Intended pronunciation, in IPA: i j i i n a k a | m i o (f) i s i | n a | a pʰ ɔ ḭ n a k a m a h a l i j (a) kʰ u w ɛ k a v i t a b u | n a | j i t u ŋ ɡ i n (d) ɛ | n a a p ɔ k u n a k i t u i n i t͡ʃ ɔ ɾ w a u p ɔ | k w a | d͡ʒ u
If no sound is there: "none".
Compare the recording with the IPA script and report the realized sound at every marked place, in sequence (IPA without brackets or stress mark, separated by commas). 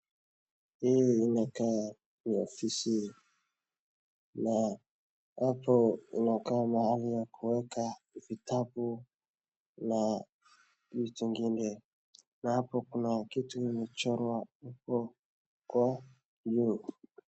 f, a, d